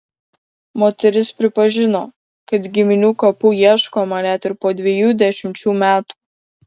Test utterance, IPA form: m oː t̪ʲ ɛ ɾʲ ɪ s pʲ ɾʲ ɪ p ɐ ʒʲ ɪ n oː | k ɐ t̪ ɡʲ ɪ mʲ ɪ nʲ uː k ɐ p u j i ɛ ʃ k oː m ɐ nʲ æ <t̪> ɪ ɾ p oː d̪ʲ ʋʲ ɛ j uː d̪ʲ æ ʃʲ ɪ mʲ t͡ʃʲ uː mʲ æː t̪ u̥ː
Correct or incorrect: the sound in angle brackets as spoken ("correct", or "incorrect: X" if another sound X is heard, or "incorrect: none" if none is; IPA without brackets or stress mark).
correct